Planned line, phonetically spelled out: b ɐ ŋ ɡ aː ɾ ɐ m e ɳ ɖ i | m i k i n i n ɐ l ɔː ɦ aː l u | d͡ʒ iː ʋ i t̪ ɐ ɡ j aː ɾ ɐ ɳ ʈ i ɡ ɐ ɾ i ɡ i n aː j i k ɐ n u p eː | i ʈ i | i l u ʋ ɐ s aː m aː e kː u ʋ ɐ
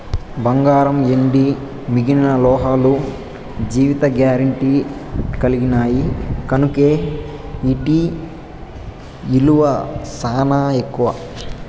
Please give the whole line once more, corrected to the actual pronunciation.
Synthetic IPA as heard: b ɐ ŋ ɡ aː ɾ ɐ m e ɳ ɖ i | m i ɡ i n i n ɐ l ɔː ɦ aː l u | d͡ʒ iː ʋ i t̪ ɐ ɡ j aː ɾ ɐ ɳ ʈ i k ɐ l i ɡ i n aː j i k ɐ n u k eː | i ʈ i | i l u ʋ ɐ s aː n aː e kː u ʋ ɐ

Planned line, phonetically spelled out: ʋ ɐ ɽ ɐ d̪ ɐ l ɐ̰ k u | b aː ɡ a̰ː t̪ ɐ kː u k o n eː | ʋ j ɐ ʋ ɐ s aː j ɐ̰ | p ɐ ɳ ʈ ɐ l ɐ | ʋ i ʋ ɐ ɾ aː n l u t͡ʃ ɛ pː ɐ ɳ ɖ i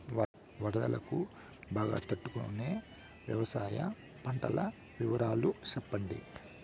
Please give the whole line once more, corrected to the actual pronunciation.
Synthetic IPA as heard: ʋ ɐ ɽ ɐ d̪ ɐ l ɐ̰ k u | b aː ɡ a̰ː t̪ ɐ ʈː u k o n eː | ʋ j ɐ ʋ ɐ s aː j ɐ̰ | p ɐ ɳ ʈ ɐ l ɐ | ʋ i ʋ ɐ ɾ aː l u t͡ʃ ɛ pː ɐ ɳ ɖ i

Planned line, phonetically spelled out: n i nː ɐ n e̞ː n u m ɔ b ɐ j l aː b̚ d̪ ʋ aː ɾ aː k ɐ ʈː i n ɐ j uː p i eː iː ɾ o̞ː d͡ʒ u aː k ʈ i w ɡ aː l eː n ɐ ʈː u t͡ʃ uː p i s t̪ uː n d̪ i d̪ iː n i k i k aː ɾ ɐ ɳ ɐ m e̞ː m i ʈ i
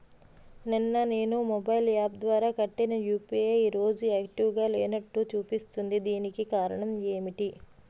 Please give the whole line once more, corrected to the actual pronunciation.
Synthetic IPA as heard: n i nː ɐ n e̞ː n u m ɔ b ɐ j l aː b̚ d̪ ʋ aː ɾ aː k ɐ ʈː i n ɐ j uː p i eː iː ɾ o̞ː d͡ʒ u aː k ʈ i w ɡ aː l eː n ɐ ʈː u t͡ʃ uː p i s t̪ u n d̪ i d̪ iː n i k i k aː ɾ ɐ ɳ ɐ m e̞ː m i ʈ i

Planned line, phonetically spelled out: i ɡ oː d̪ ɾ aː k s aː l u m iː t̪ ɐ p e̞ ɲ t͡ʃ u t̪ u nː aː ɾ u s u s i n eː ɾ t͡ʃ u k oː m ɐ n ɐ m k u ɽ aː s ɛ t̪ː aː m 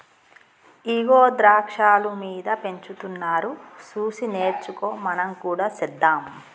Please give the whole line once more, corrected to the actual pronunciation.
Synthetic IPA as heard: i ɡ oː d̪ ɾ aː k ʂ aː l u m iː d̪ ɐ p e̞ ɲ t͡ʃ u t̪ u nː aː ɾ u s uː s i n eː ɾ t͡ʃ u k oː m ɐ n ɐ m k uː ɽ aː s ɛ d̪ː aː m

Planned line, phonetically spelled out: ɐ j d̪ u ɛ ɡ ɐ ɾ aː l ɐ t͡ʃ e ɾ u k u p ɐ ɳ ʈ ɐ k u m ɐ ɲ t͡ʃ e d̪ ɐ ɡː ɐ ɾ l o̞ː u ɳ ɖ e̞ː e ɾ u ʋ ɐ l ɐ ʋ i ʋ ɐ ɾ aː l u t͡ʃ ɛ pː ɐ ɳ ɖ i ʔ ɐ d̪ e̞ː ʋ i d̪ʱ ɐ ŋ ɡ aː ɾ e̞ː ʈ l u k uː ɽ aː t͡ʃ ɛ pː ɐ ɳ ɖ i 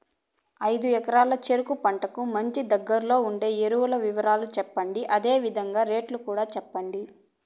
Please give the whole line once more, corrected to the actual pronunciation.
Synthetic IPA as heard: ɐ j d̪ u ɛ k ɐ ɾ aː l ɐ t͡ʃ e ɾ u k u p ɐ ɳ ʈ ɐ k u m ɐ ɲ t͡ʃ i d̪ ɐ ɡː ɐ ɾ l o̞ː u ɳ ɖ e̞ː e ɾ u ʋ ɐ l ɐ ʋ i ʋ ɐ ɾ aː l u t͡ʃ ɛ pː ɐ ɳ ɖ i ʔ ɐ d̪ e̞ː ʋ i d̪ʱ ɐ ŋ ɡ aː ɾ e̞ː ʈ l u k uː ɽ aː t͡ʃ ɛ pː ɐ ɳ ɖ i

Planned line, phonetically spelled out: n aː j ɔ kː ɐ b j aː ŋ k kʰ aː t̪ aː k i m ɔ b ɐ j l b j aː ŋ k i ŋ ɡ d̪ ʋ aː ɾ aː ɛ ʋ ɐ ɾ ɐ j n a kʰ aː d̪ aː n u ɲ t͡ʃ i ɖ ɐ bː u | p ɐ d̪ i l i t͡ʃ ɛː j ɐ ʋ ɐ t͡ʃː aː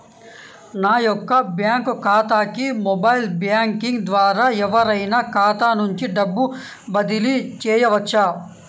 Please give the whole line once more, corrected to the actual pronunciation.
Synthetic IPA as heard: n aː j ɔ kː ɐ b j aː ŋ k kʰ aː t̪ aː k i m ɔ b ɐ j l b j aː ŋ k i ŋ ɡ d̪ ʋ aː ɾ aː ɛ ʋ ɐ ɾ ɐ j n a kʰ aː t̪ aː n u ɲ t͡ʃ i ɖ ɐ bː u | b ɐ d̪ i l i t͡ʃ ɛː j ɐ ʋ ɐ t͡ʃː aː

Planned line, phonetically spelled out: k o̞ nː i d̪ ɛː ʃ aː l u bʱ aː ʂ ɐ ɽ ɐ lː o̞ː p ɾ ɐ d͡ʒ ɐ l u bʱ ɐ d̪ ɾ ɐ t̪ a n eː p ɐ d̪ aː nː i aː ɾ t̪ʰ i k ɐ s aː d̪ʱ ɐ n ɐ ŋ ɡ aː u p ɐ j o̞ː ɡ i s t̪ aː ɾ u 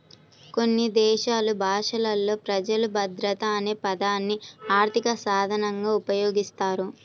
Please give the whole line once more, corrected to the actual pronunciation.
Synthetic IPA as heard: k o̞ nː i d̪ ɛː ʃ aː l u bʱ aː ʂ ɐ l ɐ lː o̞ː p ɾ ɐ d͡ʒ ɐ l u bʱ ɐ d̪ ɾ ɐ t̪ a n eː p ɐ d̪ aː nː i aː ɾ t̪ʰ i k ɐ s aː d̪ʱ ɐ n ɐ ŋ ɡ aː u p ɐ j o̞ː ɡ i s t̪ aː ɾ u

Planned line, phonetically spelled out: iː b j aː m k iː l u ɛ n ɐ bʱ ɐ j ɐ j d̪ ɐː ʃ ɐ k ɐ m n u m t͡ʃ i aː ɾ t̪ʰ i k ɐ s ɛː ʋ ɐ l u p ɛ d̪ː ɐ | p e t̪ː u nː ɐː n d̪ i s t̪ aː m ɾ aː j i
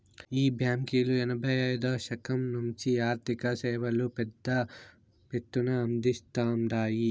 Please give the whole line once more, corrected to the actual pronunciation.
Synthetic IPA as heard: iː b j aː m k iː l u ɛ n ɐ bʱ ɐ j ɐ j d̪ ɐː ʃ ɐ k ɐ m n u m t͡ʃ i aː ɾ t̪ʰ i k ɐ s ɛː ʋ ɐ l u p ɛ d̪ː ɐ | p e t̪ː u n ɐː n d̪ i s t̪ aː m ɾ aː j i

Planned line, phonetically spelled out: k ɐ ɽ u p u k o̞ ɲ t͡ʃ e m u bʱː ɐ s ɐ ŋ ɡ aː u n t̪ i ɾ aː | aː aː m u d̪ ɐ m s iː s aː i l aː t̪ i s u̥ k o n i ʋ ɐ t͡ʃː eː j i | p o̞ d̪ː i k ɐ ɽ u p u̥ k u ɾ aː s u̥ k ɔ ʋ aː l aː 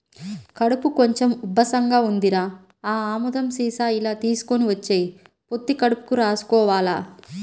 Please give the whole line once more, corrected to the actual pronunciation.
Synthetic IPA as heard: k ɐ ɽ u p u k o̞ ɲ t͡ʃ e m u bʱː ɐ s ɐ ŋ ɡ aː u n d̪ i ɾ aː | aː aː m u d̪ ɐ m s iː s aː i l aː t̪ iː s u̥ k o n i ʋ ɐ t͡ʃː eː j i | p o̞ t̪ː i k ɐ ɽ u p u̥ k u ɾ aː s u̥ k ɔː ʋ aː l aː

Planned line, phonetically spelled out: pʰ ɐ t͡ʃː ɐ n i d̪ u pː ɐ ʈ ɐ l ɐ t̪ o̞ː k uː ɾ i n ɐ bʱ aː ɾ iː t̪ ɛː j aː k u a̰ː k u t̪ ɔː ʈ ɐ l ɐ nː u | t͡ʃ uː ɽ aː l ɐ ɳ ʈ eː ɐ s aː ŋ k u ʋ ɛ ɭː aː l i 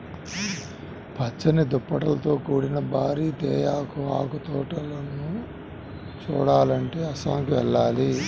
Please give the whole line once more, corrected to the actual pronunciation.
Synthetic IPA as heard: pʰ ɐ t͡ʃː ɐ n i d̪ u pː ɐ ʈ ɐ l ɐ t̪ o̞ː k uː ɽ i n ɐ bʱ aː ɾ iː t̪ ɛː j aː k u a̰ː k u t̪ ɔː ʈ ɐ l ɐ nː u | t͡ʃ uː ɽ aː l ɐ ɳ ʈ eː ɐ s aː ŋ k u ʋ ɛ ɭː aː l i

